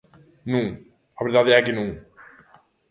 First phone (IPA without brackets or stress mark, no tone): n